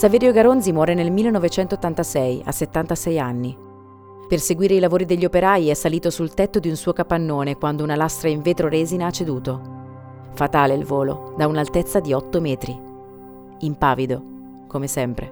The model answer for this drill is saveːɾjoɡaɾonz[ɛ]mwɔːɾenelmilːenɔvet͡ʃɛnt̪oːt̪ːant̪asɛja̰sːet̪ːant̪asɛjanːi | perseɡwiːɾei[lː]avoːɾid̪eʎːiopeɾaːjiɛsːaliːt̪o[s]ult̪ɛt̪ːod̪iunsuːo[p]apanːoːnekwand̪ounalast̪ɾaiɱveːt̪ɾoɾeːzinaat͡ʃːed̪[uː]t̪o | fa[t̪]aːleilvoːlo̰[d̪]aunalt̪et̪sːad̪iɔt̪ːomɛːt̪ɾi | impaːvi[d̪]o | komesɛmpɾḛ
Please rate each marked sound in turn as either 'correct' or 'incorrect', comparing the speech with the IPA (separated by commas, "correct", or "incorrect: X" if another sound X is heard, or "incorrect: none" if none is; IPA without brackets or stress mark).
incorrect: i, incorrect: l, correct, incorrect: k, correct, correct, correct, correct